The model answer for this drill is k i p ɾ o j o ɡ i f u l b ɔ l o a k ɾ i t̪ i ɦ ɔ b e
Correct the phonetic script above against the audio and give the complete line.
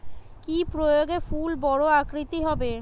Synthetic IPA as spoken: k i p ɾ o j o ɡ e f u l b ɔ ɽ o a k ɾ i t̪ i ɦ ɔ b e